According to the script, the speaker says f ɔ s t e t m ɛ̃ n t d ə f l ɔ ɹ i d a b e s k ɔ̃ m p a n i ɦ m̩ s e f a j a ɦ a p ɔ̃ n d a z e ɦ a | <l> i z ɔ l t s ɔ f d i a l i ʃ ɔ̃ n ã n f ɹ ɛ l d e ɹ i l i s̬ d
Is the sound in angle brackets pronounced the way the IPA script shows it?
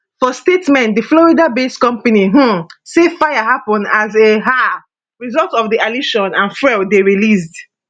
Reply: no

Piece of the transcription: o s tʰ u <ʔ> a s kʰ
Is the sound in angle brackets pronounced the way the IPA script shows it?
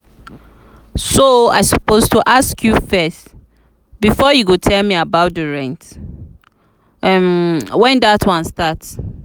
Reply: yes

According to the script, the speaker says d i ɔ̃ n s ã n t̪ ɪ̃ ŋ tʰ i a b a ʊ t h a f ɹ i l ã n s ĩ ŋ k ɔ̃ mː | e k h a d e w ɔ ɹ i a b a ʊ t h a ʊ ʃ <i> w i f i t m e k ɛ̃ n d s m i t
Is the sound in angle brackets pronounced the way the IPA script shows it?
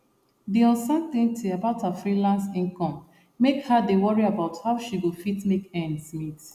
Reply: yes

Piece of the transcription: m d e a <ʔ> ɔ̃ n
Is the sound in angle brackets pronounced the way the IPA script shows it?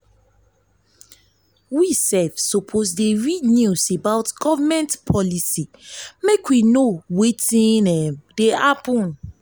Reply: no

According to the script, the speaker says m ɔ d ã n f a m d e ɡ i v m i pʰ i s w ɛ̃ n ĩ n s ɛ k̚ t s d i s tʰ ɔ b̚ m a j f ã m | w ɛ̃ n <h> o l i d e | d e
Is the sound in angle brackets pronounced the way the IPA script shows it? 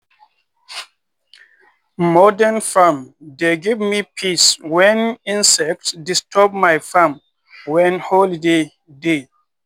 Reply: yes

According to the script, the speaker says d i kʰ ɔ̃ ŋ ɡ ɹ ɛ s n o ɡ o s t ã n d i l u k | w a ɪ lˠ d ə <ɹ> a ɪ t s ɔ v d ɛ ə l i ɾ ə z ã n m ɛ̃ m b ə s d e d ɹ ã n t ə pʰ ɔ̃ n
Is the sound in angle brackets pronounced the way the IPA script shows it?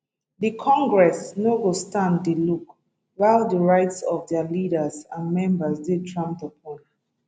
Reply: yes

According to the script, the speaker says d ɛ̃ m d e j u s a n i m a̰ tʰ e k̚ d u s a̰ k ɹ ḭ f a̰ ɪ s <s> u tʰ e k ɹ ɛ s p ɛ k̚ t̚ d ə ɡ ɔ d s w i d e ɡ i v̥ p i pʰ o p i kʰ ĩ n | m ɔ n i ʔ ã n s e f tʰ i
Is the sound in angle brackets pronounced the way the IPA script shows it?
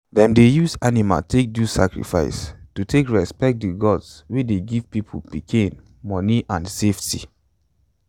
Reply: no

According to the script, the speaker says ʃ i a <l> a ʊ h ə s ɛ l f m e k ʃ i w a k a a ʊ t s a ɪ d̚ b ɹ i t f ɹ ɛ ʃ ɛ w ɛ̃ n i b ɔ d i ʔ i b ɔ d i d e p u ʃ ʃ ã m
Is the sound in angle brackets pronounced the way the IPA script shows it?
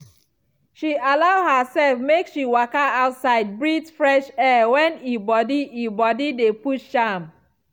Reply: yes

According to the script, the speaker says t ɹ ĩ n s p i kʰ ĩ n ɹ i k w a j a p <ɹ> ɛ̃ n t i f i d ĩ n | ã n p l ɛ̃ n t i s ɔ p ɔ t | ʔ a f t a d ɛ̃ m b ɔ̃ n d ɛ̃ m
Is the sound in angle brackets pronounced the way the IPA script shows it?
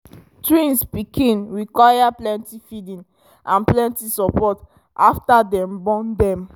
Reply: no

